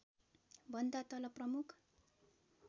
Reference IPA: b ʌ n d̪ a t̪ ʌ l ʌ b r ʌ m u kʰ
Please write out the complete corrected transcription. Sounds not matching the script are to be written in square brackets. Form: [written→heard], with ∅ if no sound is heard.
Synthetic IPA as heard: b ʌ n d̪ a t̪ ʌ l ʌ [b→p] r ʌ m u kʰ